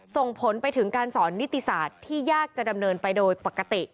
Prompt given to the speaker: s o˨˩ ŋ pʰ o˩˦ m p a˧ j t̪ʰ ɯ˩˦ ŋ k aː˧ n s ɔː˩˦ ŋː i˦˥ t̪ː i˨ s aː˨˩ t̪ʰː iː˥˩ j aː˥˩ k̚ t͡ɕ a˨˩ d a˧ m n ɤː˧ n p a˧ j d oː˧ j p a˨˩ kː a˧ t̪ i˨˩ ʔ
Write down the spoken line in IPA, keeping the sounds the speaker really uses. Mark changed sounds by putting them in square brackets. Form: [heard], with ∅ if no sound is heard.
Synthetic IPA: s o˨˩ ŋ pʰ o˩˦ [n] p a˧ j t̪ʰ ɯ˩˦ ŋ k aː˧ n s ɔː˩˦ [nː] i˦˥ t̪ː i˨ s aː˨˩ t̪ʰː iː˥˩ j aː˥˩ k̚ t͡ɕ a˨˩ d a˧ m n ɤː˧ n p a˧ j d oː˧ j p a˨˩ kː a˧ t̪ i˨˩ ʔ